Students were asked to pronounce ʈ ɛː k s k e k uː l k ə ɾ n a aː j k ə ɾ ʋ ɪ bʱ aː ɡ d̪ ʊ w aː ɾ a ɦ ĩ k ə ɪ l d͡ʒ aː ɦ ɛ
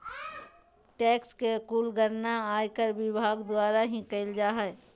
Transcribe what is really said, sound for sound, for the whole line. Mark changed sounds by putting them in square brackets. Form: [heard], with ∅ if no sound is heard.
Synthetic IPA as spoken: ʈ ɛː k s k e k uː l [ɡ] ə ɾ n a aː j k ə ɾ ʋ ɪ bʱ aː ɡ d̪ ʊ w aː ɾ a ɦ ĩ k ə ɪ l d͡ʒ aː ɦ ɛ